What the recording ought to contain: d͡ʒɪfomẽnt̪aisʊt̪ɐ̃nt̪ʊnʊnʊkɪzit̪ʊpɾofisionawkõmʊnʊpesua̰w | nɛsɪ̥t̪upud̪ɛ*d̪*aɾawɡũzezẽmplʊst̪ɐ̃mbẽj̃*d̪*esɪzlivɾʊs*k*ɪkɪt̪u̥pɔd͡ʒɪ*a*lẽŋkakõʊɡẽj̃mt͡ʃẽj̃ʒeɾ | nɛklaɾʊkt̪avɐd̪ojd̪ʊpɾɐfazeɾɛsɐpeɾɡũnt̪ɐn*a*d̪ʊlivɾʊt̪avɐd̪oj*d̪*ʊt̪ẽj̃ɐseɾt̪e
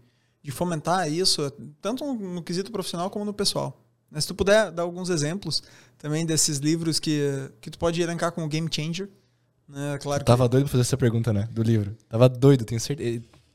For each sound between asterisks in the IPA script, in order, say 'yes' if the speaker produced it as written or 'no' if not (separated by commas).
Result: yes, yes, yes, no, no, yes